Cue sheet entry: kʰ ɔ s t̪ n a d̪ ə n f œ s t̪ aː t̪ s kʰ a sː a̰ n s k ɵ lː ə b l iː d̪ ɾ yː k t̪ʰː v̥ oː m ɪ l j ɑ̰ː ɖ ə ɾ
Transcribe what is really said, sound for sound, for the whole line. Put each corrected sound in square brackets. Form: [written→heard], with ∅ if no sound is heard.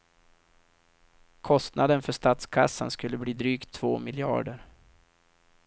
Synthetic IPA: kʰ ɔ s t̪ n a d̪ ə n f œ [s→ʂ] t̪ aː t̪ s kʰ a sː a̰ n s k ɵ lː ə b l iː d̪ ɾ yː k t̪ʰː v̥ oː m ɪ l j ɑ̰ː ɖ ə ɾ